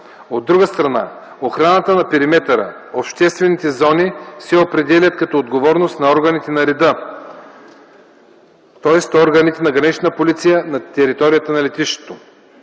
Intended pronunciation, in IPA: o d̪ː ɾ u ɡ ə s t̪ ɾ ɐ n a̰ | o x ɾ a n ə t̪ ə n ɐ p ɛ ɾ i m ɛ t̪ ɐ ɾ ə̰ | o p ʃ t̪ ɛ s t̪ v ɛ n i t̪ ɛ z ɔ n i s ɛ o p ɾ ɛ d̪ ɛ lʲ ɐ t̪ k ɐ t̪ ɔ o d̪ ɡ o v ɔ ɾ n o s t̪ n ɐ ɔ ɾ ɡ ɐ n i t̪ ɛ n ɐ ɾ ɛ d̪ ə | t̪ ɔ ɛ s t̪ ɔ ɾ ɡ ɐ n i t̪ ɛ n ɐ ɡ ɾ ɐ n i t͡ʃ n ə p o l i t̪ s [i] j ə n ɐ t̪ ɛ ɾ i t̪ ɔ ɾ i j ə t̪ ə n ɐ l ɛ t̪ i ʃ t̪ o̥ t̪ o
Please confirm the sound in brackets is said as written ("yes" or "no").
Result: yes